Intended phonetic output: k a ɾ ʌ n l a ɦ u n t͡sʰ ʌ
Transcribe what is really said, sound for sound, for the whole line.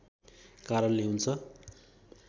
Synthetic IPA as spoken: k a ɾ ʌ n l e ɦ u n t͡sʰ ʌ